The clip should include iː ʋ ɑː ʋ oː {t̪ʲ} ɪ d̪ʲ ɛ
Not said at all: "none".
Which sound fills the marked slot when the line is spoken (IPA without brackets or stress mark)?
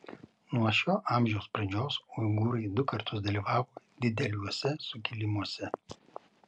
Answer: d̪ʲ